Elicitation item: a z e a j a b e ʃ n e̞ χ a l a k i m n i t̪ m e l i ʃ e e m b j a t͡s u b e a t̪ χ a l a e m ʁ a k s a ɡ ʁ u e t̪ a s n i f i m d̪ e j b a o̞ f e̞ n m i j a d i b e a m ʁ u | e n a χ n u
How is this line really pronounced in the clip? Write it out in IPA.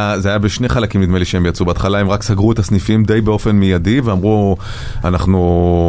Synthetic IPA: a z e a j a b e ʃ n e̞ χ a l a k i m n i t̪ m e l i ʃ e e m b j a t͡s u b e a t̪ χ a l a e m ʁ a k s a ɡ ʁ u e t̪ a s n i f i m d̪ e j b e o̞ f e̞ n m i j a d i v e a m ʁ u | a n a χ n u